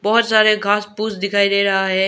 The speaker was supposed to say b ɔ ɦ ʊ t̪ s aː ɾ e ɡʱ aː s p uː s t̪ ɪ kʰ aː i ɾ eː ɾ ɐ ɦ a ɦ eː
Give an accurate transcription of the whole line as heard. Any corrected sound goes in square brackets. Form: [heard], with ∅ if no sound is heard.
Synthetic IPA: b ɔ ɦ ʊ t̪ s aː ɾ e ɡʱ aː s p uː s [d̪] ɪ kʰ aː i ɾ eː ɾ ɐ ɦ a ɦ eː